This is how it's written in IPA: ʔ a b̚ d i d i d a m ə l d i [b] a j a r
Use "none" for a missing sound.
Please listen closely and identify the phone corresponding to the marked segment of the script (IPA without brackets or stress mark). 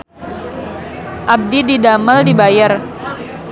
b